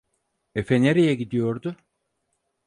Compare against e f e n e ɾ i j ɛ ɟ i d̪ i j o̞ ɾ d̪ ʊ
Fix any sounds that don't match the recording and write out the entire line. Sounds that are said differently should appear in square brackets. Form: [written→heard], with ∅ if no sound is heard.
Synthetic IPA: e f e n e ɾ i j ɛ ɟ i d̪ i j o̞ ɾ d̪ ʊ